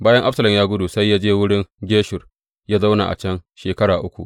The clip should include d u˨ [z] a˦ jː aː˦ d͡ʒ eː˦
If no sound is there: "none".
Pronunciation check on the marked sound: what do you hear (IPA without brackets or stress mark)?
s